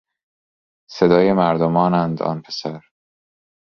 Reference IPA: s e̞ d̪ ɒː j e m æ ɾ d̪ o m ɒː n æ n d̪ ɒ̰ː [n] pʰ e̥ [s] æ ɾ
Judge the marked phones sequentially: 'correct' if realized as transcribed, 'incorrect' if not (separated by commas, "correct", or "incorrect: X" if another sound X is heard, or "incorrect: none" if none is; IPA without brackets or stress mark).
correct, correct